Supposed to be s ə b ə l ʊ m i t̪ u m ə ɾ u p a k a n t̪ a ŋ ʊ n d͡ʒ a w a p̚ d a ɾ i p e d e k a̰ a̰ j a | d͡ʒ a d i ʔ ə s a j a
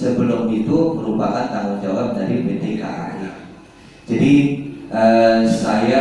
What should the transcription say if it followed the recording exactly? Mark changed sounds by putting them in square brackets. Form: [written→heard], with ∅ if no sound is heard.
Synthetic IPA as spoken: s ə b ə l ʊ m i t̪ u m ə ɾ u p a k a n t̪ a ŋ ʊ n d͡ʒ a w a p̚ d a ɾ i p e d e k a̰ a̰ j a | d͡ʒ a d i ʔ ə s a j a